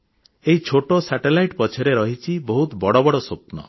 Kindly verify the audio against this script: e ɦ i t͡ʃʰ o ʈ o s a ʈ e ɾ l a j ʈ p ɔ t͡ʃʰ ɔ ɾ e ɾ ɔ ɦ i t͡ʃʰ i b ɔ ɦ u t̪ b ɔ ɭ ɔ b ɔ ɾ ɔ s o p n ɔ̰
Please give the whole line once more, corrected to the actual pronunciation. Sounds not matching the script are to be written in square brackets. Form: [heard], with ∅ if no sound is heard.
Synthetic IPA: e ɦ i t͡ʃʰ o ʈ o s a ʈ e [∅] l a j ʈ p ɔ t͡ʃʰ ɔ ɾ e ɾ ɔ ɦ i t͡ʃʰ i b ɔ ɦ u t̪ b ɔ [ɽ] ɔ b ɔ [ɽ] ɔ s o p n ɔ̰